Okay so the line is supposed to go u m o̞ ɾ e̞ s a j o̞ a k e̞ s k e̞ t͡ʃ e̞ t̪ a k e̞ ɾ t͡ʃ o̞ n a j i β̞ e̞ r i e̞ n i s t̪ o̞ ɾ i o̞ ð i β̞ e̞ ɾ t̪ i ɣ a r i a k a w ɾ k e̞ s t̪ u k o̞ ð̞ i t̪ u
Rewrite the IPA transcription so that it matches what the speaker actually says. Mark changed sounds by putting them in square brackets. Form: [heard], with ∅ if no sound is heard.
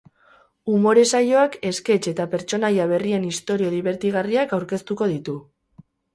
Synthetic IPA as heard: u m o̞ ɾ e̞ s a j o̞ a k e̞ s k e̞ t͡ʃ e̞ t̪ a [p] e̞ ɾ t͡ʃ o̞ n a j [a] β̞ e̞ r i e̞ n i s t̪ o̞ ɾ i o̞ ð i β̞ e̞ ɾ t̪ i ɣ a r i a k a w ɾ k e̞ s t̪ u k o̞ ð̞ i t̪ u